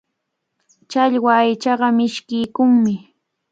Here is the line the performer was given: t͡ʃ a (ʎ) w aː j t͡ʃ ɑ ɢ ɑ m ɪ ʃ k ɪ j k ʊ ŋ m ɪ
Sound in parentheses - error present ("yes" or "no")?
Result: no